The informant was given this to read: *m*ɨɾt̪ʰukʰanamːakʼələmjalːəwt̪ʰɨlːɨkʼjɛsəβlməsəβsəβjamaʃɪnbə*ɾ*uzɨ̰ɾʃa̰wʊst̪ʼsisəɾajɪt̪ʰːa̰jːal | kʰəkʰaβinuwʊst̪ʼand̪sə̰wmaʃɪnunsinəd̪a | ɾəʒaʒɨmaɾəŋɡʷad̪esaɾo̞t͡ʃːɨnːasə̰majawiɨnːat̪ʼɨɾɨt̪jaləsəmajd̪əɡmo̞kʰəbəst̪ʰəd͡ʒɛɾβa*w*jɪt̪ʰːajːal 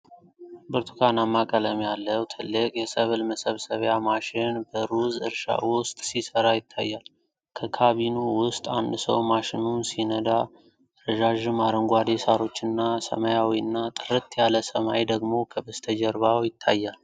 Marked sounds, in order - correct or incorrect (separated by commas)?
incorrect, correct, correct